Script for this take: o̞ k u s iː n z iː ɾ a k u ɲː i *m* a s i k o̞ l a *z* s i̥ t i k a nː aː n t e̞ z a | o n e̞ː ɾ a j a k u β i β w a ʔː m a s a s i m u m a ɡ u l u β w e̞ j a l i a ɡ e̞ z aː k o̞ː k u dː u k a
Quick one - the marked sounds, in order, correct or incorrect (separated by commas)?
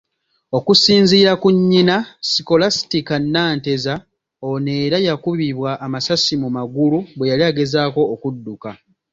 incorrect, incorrect